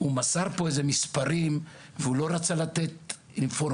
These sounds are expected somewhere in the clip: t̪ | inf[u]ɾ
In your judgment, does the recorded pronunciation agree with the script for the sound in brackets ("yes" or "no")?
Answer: no